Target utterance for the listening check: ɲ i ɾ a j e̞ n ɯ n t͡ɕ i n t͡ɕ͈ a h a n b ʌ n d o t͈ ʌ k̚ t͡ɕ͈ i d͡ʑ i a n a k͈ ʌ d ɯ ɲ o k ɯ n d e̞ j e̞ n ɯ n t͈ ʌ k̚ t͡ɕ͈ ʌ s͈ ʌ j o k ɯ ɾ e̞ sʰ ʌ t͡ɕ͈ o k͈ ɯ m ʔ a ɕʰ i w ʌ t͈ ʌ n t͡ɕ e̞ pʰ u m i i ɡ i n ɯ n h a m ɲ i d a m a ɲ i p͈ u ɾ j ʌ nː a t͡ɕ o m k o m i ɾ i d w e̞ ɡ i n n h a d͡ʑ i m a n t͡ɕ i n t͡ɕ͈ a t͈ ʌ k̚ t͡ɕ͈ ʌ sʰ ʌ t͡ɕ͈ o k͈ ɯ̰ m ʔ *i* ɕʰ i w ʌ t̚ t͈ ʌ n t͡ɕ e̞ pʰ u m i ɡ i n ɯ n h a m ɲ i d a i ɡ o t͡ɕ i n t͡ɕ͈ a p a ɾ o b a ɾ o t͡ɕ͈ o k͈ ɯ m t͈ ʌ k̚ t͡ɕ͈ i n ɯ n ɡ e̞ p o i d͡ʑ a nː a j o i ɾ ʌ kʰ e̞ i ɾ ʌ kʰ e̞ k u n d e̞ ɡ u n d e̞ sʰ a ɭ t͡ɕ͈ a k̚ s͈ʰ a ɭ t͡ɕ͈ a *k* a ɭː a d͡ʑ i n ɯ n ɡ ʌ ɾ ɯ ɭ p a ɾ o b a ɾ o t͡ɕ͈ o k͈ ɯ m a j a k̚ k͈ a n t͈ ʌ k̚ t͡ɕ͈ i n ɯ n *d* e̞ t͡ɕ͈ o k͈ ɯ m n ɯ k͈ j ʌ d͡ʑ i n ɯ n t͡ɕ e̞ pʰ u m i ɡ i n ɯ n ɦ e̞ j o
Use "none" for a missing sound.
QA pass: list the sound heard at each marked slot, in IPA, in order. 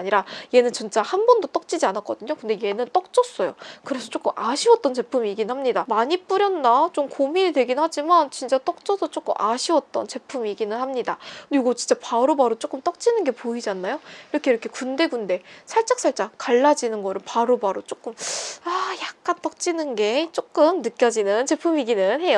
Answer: a, k, ɡ

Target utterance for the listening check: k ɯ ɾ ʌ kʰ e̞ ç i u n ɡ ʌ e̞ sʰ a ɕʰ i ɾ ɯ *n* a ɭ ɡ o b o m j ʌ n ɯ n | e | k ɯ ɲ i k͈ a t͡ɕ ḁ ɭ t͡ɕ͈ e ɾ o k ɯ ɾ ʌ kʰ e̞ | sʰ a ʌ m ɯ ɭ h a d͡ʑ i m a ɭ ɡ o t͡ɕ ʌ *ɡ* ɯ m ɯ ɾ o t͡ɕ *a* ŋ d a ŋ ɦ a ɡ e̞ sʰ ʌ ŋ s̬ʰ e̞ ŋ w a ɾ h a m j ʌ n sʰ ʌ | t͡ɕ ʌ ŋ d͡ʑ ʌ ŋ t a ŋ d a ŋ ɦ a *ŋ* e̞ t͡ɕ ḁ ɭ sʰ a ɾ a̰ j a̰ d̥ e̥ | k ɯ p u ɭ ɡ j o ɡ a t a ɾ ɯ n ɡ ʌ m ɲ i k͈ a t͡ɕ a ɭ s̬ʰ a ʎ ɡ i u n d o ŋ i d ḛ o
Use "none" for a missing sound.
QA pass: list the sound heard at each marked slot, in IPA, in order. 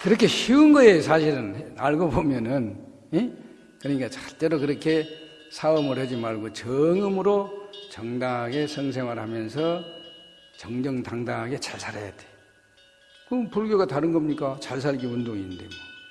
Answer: n, ŋ, ʌ, ɡ

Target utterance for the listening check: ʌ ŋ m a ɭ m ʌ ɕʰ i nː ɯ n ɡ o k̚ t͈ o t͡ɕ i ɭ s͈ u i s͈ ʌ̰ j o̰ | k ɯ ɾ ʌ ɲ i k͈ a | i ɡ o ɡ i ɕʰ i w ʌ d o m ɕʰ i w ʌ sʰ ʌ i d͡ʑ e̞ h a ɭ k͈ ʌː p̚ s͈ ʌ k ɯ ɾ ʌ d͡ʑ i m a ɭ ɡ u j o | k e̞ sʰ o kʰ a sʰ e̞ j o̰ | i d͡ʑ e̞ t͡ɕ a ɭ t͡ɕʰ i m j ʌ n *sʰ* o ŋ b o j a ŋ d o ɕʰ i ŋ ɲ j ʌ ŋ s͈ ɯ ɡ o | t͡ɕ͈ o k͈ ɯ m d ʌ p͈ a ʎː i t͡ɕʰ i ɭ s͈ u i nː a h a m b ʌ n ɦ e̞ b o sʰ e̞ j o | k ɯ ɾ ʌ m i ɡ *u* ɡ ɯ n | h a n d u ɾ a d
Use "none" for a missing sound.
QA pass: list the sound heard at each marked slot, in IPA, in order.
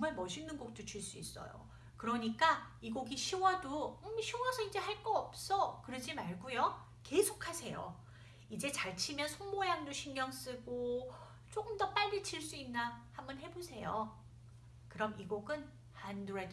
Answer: sʰ, o

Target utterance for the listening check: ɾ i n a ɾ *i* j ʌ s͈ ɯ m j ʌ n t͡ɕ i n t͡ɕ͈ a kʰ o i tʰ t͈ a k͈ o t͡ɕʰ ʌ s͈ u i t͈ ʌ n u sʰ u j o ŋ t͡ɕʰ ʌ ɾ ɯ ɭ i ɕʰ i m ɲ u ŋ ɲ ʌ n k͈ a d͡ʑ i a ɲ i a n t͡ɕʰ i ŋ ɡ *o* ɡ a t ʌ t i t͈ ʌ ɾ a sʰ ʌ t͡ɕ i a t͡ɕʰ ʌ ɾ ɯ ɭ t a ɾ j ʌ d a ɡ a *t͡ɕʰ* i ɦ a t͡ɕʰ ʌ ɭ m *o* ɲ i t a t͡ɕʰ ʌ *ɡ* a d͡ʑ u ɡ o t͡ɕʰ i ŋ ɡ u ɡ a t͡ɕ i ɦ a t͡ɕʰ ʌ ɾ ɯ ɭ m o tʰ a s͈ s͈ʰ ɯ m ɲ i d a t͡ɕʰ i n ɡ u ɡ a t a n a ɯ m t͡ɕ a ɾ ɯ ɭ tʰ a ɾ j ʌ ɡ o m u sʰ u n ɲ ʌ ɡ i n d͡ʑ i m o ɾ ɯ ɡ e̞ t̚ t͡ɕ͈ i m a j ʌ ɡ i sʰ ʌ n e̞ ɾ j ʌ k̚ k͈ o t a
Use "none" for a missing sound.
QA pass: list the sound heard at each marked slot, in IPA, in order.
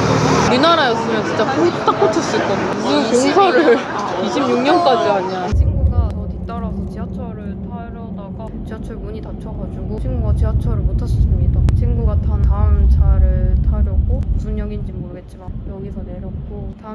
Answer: a, u, t͡ɕ, u, ɡ

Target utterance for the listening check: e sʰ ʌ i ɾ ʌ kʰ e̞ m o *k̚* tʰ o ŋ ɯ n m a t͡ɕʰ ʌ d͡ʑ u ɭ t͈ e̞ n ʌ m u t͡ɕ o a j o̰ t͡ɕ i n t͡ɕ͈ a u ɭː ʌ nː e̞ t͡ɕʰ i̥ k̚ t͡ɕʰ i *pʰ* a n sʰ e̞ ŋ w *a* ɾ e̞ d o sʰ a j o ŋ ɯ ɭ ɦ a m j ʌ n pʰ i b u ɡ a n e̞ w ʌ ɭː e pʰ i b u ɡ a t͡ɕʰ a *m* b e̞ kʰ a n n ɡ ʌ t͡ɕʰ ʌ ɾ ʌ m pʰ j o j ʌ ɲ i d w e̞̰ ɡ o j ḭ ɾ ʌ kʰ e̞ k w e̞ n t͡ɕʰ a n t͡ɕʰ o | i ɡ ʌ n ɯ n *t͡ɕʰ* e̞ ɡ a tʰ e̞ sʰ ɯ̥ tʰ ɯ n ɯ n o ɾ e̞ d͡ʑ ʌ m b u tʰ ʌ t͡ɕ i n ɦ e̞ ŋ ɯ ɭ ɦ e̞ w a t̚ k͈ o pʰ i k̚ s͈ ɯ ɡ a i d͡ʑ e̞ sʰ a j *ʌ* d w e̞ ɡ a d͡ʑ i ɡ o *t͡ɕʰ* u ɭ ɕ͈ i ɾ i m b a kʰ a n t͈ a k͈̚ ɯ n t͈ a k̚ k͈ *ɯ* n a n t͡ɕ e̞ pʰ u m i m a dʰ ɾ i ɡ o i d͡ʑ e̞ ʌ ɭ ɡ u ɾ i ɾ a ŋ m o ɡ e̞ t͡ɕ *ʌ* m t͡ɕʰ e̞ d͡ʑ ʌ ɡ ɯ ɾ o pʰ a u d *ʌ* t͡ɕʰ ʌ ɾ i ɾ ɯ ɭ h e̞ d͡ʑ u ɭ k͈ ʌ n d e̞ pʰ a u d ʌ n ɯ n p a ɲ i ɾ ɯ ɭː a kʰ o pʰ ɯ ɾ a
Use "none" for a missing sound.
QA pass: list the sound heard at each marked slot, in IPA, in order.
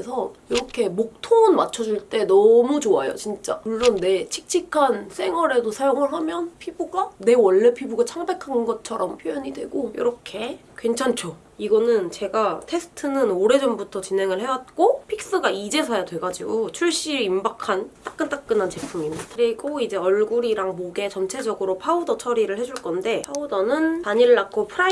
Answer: k̚, kʰ, ʌ, ŋ, t͡ɕ, a, t͡ɕʰ, ɯ, ʌ, ʌ

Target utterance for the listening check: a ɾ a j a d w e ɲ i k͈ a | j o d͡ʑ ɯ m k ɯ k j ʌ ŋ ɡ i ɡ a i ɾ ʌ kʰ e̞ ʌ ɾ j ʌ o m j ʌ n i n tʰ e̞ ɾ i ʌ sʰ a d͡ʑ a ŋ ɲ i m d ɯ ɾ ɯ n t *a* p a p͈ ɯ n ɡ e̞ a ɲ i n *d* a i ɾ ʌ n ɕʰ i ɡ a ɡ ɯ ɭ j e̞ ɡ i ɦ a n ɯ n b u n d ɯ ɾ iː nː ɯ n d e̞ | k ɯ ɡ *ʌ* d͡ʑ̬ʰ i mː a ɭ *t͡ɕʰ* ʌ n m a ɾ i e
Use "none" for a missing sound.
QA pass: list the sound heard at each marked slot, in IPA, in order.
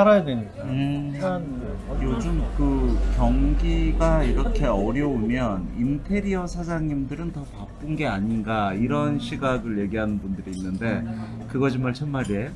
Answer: ʌ, ɡ, ʌ, t͡ɕʰ

